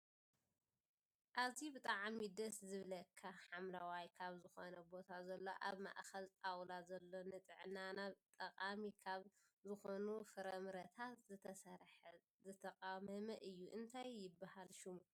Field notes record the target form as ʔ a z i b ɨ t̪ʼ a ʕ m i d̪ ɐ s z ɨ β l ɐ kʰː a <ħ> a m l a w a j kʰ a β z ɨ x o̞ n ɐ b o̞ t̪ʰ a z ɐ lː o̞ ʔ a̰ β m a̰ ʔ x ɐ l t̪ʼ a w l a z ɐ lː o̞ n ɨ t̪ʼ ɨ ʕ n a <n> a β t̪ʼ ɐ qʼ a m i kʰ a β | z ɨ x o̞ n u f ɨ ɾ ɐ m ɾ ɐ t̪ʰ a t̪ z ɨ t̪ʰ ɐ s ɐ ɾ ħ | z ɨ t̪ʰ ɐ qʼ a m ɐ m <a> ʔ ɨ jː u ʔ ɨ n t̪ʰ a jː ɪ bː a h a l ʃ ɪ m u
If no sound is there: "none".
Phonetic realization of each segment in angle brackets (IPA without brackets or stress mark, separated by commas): ħ, n, ɐ